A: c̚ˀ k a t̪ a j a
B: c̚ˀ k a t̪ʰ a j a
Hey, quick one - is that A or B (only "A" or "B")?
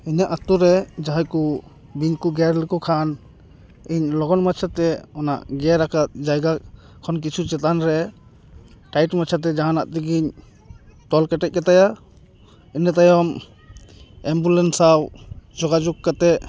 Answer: A